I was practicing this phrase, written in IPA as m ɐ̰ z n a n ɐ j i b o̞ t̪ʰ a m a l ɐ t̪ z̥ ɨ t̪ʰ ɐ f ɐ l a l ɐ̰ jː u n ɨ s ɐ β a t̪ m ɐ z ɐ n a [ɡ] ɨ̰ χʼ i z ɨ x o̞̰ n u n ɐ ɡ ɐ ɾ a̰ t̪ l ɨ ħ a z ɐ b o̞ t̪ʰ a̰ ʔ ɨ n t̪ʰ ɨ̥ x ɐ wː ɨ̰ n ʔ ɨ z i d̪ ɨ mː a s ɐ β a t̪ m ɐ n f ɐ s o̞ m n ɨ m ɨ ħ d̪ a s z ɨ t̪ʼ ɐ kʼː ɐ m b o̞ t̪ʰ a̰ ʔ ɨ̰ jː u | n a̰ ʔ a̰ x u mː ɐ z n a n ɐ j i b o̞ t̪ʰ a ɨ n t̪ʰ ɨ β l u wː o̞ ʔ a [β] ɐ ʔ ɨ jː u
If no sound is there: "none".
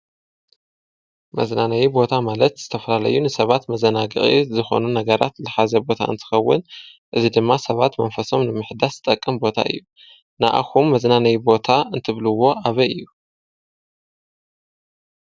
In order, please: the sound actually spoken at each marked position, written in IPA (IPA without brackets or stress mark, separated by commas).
ɡ, β